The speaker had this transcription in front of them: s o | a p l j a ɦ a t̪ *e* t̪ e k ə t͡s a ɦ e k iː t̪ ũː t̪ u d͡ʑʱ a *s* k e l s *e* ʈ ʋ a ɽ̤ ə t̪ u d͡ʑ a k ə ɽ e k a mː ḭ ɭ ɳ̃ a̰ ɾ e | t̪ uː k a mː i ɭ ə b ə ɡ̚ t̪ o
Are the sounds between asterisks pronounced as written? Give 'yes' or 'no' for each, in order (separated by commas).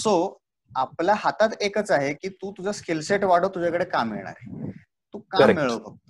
no, yes, yes